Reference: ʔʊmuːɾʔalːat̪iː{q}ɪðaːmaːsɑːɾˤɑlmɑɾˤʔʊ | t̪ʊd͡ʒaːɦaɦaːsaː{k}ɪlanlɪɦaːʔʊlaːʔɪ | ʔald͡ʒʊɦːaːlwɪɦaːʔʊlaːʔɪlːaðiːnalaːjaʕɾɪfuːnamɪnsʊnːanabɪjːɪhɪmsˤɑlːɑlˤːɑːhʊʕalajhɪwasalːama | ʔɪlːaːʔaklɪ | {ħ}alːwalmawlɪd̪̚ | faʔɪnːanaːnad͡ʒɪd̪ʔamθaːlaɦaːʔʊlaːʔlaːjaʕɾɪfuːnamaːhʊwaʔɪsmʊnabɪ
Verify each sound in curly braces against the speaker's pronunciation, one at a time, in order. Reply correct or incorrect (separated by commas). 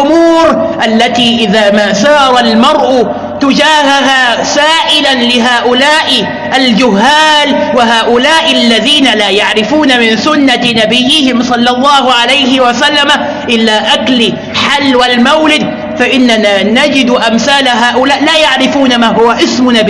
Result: incorrect, incorrect, correct